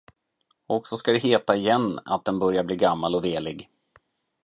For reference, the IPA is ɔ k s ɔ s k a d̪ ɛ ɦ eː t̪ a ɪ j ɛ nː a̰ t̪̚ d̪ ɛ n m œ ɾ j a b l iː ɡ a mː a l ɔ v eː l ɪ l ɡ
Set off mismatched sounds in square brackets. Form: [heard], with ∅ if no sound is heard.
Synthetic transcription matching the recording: ɔ k s ɔ s k a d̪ ɛ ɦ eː t̪ a ɪ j ɛ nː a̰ t̪̚ d̪ ɛ n [b] œ ɾ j a b l iː ɡ a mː a l ɔ v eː l ɪ [∅] ɡ